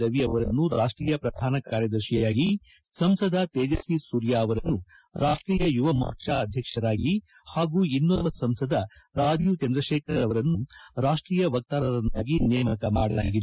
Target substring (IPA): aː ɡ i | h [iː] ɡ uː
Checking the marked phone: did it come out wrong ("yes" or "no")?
yes